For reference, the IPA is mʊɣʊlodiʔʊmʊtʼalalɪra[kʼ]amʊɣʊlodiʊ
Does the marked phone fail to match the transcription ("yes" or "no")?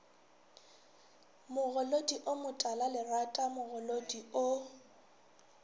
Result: yes